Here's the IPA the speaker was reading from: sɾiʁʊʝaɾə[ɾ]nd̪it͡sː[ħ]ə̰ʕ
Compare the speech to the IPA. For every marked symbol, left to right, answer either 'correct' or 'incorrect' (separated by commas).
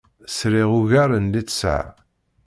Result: incorrect, incorrect